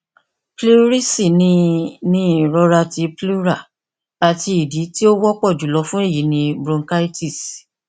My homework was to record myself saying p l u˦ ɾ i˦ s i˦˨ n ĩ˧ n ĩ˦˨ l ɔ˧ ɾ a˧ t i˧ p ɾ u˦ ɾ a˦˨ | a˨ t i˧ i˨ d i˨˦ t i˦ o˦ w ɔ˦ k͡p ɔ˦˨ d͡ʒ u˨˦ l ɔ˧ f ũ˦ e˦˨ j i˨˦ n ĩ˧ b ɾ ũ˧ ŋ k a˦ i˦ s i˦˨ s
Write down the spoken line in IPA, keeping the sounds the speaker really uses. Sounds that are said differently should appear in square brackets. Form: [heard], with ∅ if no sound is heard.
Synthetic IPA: p l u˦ ɾ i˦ s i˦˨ n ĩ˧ n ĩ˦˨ [ɾ] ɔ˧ ɾ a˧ t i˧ p [l] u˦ ɾ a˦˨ | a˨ t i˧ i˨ d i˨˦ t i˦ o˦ w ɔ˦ k͡p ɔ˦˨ d͡ʒ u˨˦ l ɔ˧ f ũ˦ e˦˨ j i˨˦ n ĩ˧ b ɾ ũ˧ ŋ k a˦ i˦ [t] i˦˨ s

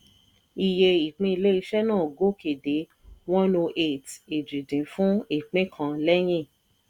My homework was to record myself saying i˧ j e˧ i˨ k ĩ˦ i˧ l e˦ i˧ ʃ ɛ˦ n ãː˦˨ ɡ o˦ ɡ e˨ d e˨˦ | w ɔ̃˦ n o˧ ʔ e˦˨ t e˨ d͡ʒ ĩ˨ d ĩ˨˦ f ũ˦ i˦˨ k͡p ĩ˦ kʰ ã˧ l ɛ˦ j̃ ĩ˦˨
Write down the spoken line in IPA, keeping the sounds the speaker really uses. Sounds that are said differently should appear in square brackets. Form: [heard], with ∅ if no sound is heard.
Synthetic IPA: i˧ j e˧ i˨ [k͡p] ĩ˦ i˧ l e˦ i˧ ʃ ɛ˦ n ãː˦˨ ɡ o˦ [k] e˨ d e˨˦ | w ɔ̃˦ n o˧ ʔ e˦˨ t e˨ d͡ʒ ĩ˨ d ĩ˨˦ f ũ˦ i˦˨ k͡p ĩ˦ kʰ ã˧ l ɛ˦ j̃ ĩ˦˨

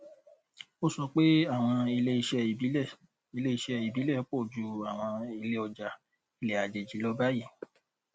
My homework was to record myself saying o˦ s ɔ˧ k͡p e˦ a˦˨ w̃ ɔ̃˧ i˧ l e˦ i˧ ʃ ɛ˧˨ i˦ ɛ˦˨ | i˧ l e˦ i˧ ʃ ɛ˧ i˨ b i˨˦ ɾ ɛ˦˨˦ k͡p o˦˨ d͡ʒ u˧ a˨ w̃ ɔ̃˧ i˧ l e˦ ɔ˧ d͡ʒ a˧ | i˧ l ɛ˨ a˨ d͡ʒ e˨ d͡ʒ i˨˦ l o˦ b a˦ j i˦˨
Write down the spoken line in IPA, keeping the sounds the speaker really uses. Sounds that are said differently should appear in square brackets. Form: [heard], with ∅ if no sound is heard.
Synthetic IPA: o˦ s ɔ˧ k͡p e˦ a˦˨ w̃ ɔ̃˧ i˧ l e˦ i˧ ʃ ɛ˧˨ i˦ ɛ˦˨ | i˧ l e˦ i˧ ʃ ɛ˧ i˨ b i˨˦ [l] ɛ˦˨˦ k͡p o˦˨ d͡ʒ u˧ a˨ w̃ ɔ̃˧ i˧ l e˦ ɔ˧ d͡ʒ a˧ | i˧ l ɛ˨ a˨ d͡ʒ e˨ d͡ʒ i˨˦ l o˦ b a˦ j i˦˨

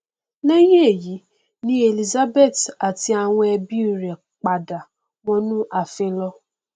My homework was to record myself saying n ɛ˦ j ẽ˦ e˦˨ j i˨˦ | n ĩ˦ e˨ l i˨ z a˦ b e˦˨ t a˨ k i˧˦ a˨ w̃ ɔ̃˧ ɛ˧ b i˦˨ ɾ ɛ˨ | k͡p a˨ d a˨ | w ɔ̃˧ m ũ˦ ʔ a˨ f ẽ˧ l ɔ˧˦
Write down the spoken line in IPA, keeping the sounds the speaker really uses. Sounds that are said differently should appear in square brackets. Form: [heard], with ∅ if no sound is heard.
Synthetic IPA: n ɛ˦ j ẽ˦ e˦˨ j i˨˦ | n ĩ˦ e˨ l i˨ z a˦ b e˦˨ t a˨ [t] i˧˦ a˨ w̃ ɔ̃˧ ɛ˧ b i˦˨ ɾ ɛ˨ | k͡p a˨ d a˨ | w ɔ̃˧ [n] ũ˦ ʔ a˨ f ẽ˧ l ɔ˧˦

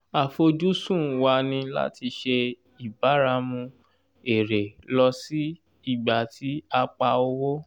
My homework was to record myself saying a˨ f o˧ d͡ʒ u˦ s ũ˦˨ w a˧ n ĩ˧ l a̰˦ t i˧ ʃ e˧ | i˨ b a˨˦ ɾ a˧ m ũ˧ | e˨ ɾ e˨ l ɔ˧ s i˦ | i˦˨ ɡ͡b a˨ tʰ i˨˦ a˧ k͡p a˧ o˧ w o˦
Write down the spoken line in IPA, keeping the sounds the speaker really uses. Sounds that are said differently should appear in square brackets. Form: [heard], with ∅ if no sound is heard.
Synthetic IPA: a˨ f o˧ d͡ʒ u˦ s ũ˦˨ w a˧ n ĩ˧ l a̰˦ t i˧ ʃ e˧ | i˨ b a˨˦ ɾ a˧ m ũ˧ | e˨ ɾ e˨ l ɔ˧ s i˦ | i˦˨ ɡ͡b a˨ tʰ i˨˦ a˧ k͡p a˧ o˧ w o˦

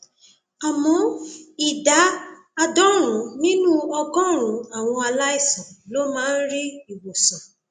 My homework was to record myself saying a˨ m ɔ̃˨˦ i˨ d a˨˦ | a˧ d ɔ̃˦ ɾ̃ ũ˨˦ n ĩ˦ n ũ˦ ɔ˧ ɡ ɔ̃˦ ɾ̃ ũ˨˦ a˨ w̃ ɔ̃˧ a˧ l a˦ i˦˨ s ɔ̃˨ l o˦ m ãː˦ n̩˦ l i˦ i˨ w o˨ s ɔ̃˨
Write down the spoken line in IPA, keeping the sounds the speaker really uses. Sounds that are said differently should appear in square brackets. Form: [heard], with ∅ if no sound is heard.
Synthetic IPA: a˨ m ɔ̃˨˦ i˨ d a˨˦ | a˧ d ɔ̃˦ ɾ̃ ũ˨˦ n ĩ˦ n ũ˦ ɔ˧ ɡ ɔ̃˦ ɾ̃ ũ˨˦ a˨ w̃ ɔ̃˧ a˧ l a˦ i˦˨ s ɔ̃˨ l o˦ m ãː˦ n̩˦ [ɾ] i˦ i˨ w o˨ s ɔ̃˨

